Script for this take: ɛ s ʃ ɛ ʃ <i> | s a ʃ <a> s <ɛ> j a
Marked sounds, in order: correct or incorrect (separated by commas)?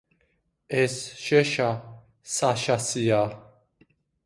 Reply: incorrect, correct, incorrect